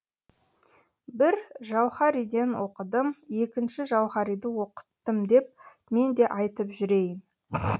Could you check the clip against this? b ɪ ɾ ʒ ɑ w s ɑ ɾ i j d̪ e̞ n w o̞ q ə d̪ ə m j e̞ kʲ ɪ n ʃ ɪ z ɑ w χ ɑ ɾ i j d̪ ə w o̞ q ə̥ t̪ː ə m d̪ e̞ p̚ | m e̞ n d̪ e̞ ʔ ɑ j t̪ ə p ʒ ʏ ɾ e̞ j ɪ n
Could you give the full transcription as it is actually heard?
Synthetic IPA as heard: b ɪ ɾ ʒ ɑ w χ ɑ ɾ i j d̪ e̞ n w o̞ q ə d̪ ə m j e̞ kʲ ɪ n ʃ ɪ ʒ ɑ w χ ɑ ɾ i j d̪ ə w o̞ q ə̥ t̪ː ə m d̪ e̞ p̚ | m e̞ n d̪ e̞ ʔ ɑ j t̪ ə p ʒ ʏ ɾ e̞ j ɪ n

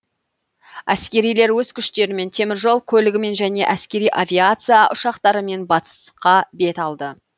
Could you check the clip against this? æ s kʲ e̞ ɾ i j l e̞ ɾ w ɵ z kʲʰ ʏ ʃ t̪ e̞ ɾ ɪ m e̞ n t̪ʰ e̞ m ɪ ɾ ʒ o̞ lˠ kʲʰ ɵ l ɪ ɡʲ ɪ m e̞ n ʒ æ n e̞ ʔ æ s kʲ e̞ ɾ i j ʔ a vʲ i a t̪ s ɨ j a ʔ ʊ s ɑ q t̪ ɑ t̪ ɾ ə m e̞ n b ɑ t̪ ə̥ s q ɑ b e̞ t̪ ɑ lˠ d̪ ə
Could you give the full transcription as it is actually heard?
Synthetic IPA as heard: æ s kʲ e̞ ɾ i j l e̞ ɾ w ɵ z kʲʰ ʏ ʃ t̪ e̞ ɾ ɪ m e̞ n t̪ʰ e̞ m ɪ ɾ ʒ o̞ lˠ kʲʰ ɵ l ɪ ɡʲ ɪ m e̞ n ʒ æ n e̞ ʔ æ s kʲ e̞ ɾ i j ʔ a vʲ i a t̪ s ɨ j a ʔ ʊ ʃ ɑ q t̪ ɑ ɾ ə m e̞ n b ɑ t̪ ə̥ s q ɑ b e̞ t̪ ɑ lˠ d̪ ə

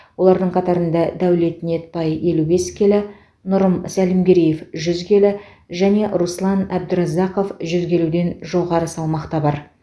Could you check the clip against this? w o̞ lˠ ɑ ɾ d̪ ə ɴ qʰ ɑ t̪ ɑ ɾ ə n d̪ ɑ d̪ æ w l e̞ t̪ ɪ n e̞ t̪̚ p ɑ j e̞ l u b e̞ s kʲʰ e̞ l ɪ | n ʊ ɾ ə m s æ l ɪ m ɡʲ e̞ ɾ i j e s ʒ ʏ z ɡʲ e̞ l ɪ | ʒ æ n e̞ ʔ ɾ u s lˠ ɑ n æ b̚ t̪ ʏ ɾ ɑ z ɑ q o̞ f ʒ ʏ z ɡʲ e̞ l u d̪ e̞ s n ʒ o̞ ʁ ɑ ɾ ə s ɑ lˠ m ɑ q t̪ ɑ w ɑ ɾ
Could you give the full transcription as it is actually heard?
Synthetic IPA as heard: w o̞ lˠ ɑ ɾ d̪ ə ɴ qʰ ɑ t̪ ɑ ɾ ə n d̪ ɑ d̪ æ w l e̞ t̪ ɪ n e̞ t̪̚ p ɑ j e̞ l u b e̞ s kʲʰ e̞ l ɪ | n ʊ ɾ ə m s æ l ɪ m ɡʲ e̞ ɾ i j e f ʒ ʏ z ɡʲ e̞ l ɪ | ʒ æ n e̞ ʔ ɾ u s lˠ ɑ n æ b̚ d̪ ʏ ɾ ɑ z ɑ q o̞ f ʒ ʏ z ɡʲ e̞ l u d̪ e̞ n ʒ o̞ ʁ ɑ ɾ ə s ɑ lˠ m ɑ q t̪ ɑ b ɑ ɾ

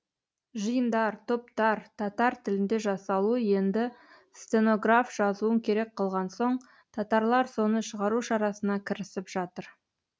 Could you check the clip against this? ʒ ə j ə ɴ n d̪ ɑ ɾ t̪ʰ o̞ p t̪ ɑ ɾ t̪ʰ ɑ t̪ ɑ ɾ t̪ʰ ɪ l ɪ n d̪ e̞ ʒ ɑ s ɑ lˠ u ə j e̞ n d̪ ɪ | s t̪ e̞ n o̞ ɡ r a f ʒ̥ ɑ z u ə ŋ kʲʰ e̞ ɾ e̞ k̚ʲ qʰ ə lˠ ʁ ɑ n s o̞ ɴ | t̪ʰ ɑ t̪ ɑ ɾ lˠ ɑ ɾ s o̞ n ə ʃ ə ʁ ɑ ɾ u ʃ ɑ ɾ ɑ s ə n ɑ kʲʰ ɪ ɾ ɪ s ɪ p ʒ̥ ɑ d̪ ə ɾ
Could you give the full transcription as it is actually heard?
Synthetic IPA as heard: ʒ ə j ə n d̪ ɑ ɾ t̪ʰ o̞ p t̪ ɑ ɾ t̪ʰ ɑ t̪ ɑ ɾ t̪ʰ ɪ l ɪ n d̪ e̞ ʒ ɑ s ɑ lˠ u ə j e̞ n d̪ ɪ | s t̪ e̞ n o̞ ɡ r a f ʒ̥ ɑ z u ə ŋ kʲʰ e̞ ɾ e̞ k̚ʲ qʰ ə lˠ ʁ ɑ n s o̞ ɴ | t̪ʰ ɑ t̪ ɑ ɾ lˠ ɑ ɾ s o̞ n ə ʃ ə ʁ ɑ ɾ u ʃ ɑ ɾ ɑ s ə n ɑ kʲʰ ɪ ɾ ɪ s ɪ p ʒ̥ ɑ t̪ ə ɾ

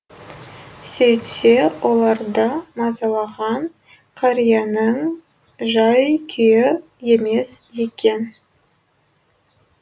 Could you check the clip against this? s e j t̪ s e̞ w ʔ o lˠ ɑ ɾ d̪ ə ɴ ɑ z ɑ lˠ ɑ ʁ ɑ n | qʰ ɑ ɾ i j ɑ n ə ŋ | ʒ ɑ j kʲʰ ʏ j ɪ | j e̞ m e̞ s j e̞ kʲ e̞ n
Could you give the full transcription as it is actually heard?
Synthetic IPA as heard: s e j t̪ s e̞ w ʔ o lˠ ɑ ɾ d̪ ə m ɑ z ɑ lˠ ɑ ʁ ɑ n | qʰ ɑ ɾ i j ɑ n ə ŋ | ʒ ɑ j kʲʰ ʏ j ɪ | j e̞ m e̞ s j e̞ kʲ e̞ n

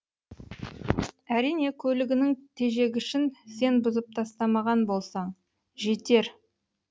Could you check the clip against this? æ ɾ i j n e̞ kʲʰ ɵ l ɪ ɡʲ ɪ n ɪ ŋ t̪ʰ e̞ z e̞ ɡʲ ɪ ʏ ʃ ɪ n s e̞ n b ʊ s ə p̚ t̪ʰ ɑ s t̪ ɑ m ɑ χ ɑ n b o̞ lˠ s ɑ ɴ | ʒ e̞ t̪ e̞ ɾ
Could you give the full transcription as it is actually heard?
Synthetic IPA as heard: æ ɾ i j n e̞ kʲʰ ɵ l ɪ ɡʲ ɪ n ɪ ŋ t̪ʰ e̞ ʒ e̞ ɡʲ ɪ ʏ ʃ ɪ n s e̞ n b ʊ z ə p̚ t̪ʰ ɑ s t̪ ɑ m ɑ ʁ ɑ n b o̞ lˠ s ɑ ɴ | ʒ e̞ t̪ e̞ ɾ

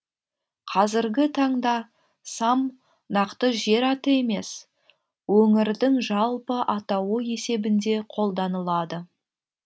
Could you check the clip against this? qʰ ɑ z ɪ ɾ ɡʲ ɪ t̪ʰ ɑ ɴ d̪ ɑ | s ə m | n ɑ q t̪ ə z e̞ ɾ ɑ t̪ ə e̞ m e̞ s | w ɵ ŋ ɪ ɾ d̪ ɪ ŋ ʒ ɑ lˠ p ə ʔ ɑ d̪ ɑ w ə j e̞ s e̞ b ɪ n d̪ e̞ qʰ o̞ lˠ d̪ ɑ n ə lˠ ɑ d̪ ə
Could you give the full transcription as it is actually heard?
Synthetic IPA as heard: qʰ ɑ z ɪ ɾ ɡʲ ɪ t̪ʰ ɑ ɴ d̪ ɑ | s ɑ m | n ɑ q t̪ ə ʒ e̞ ɾ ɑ t̪ ə e̞ m e̞ s | w ɵ ŋ ɪ ɾ d̪ ɪ ŋ ʒ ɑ lˠ p ə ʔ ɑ t̪ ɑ w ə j e̞ s e̞ b ɪ n d̪ e̞ qʰ o̞ lˠ d̪ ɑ n ə lˠ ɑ d̪ ə

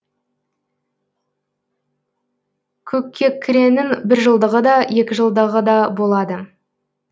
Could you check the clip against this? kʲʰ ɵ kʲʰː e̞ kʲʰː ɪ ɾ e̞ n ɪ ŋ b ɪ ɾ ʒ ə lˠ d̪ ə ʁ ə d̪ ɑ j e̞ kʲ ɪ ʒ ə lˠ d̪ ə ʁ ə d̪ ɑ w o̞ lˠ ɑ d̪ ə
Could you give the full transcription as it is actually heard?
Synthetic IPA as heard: kʲʰ ɵ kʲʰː e̞ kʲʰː ɪ ɾ e̞ n ɪ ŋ b ɪ ɾ ʒ ə lˠ d̪ ə ʁ ə d̪ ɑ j e̞ kʲ ɪ ʒ ə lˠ d̪ ə ʁ ə d̪ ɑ b o̞ lˠ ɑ d̪ ə

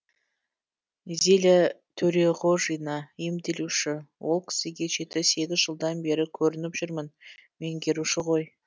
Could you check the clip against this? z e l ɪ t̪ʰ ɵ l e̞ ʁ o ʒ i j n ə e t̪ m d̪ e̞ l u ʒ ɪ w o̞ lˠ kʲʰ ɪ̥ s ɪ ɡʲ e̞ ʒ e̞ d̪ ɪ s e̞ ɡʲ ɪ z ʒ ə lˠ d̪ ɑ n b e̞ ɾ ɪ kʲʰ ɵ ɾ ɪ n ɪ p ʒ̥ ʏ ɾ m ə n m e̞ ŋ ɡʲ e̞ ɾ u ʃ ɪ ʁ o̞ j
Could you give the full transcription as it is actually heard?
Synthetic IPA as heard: z e l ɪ t̪ʰ ɵ ɾ e̞ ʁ o ʒ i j n ɑ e m d̪ e̞ l u ʃ ɪ w o̞ lˠ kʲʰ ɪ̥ s ɪ ɡʲ e̞ ʒ e̞ t̪ ɪ s e̞ ɡʲ ɪ z ʒ ə lˠ d̪ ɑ n b e̞ ɾ ɪ kʲʰ ɵ ɾ ɪ n ɪ p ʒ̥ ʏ ɾ m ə n m e̞ ŋ ɡʲ e̞ ɾ u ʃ ɪ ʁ o̞ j

